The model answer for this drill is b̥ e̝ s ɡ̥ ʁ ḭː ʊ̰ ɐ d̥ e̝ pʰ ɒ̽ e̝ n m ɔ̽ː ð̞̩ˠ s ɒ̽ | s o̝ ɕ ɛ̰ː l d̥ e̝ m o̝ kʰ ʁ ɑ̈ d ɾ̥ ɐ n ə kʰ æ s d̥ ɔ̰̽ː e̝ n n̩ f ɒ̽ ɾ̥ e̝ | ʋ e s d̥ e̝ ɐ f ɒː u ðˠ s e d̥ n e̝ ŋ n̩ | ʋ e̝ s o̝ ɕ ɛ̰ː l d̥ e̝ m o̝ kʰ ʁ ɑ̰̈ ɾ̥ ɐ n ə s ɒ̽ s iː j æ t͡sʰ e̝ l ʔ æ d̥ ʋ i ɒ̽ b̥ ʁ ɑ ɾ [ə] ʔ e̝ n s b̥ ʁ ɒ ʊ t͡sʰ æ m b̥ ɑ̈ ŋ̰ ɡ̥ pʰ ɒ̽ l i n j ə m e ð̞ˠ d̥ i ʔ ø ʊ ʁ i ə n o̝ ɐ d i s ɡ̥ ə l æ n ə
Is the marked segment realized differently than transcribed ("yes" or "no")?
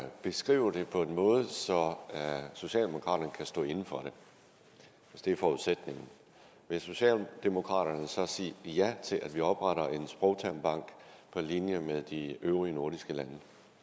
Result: yes